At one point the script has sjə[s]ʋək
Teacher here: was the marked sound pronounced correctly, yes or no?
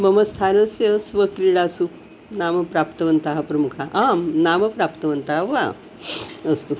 yes